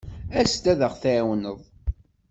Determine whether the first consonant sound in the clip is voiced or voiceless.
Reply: voiceless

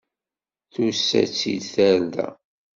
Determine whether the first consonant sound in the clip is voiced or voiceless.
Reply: voiceless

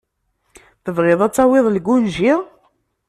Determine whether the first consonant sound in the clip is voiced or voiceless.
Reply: voiceless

